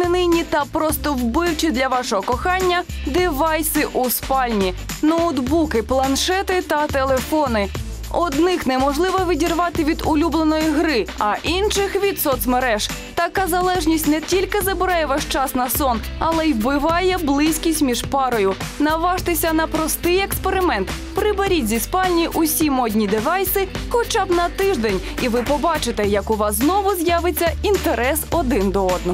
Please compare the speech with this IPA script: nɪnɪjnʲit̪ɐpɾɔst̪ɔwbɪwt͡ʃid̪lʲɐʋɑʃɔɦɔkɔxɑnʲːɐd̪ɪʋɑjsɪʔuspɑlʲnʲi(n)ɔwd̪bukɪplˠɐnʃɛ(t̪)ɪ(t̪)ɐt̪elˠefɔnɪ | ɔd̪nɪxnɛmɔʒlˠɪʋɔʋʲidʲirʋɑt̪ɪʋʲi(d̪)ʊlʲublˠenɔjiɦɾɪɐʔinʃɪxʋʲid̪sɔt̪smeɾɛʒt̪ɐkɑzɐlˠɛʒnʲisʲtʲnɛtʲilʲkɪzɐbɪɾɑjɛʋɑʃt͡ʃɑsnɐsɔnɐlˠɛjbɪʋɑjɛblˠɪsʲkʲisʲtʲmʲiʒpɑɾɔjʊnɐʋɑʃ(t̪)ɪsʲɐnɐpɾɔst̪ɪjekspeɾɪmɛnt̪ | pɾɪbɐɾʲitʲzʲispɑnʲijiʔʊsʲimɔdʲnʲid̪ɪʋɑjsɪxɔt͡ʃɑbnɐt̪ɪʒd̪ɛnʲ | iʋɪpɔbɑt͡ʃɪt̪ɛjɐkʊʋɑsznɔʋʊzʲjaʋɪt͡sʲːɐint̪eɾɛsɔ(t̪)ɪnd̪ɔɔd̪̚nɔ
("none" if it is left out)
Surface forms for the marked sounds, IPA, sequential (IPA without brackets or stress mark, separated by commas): n, t̪, t̪, d̪, t̪, d̪